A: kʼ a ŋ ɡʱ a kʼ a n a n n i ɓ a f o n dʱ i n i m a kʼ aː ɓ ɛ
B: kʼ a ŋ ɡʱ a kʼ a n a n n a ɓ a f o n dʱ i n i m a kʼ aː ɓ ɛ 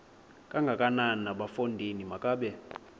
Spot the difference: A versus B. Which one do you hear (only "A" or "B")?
B